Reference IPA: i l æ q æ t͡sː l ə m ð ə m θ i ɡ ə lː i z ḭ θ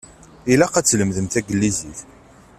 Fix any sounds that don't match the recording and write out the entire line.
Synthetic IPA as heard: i l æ q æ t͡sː l ə m ð ə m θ æ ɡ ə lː i z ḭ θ